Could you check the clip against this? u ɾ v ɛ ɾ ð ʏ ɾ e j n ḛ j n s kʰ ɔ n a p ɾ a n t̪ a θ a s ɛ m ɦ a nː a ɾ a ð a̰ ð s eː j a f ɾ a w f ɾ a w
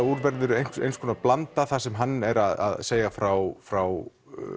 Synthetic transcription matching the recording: u ɾ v ɛ ɾ ð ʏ ɾ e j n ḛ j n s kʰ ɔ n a p l a n t̪ a θ a s ɛ m ɦ a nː ɛ ɾ a ð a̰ ð s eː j a f ɾ a w f ɾ a w